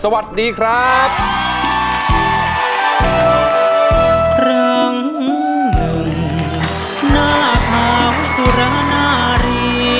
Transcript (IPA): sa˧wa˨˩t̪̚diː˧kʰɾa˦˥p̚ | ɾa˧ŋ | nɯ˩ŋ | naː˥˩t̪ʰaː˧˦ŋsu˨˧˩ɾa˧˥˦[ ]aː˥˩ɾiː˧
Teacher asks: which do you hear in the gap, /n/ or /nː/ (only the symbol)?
n